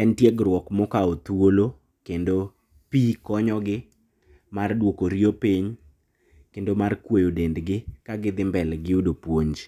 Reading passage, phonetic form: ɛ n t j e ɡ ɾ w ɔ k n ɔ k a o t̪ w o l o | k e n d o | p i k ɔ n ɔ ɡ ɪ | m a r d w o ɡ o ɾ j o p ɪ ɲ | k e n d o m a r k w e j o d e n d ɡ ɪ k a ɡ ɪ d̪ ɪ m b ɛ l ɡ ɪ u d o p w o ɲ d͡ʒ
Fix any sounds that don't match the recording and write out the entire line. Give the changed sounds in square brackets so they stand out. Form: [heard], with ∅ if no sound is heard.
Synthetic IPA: ɛ n t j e ɡ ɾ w ɔ k [m] ɔ k a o t̪ w o l o | k e n d o | p i k ɔ [ɲ] ɔ ɡ ɪ | m a r d w o [k] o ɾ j o p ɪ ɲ | k e n d o m a r k w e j o d e n d ɡ ɪ k a ɡ ɪ d̪ ɪ m b ɛ l ɡ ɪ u d o p w o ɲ d͡ʒ